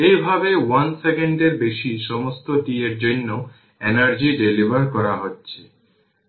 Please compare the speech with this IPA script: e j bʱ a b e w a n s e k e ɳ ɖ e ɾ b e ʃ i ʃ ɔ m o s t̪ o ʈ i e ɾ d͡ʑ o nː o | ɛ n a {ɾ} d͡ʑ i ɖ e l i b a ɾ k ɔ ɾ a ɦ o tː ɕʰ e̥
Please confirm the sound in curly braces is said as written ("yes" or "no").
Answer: yes